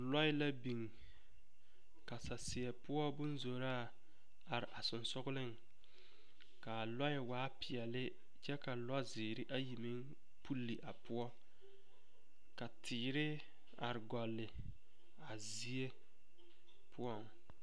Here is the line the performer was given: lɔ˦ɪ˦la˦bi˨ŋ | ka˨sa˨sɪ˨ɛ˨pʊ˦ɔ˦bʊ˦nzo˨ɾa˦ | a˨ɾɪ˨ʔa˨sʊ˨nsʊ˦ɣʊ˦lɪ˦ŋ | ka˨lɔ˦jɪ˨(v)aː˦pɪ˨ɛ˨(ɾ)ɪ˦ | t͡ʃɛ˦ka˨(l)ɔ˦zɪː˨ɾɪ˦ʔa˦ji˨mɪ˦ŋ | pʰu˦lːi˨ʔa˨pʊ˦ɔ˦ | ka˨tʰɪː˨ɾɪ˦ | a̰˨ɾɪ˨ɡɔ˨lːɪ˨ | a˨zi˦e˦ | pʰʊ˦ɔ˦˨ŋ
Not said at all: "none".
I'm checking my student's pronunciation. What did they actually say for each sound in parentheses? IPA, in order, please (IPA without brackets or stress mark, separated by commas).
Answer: w, l, l